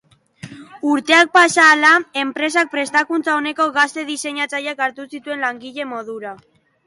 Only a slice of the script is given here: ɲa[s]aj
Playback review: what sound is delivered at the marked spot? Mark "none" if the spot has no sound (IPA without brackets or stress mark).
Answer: t͡s